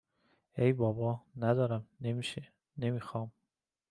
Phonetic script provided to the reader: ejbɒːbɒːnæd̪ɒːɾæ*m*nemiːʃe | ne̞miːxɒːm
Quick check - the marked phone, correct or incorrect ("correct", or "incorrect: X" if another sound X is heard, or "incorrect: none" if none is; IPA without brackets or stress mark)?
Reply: correct